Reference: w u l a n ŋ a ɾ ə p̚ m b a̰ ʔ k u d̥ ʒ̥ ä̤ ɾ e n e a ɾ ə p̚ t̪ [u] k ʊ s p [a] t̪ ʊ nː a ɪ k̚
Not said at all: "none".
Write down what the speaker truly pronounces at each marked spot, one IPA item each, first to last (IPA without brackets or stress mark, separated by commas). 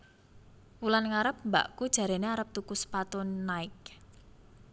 u, a